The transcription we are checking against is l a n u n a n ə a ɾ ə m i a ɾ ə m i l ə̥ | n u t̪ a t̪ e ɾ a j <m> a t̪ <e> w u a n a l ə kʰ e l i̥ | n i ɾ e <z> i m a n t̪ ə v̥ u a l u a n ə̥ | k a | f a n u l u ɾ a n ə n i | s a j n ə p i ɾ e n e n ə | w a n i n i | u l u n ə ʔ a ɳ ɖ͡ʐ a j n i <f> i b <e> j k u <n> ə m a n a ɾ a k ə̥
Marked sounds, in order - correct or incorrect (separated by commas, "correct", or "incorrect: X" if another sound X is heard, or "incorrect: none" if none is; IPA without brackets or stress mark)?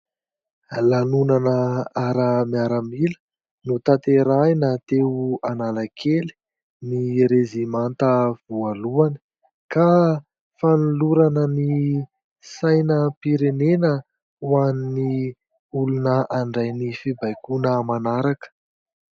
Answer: incorrect: n, correct, correct, correct, incorrect: a, correct